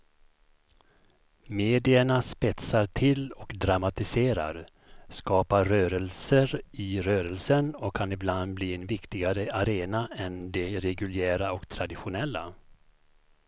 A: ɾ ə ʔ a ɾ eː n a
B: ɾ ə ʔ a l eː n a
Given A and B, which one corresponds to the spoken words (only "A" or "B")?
A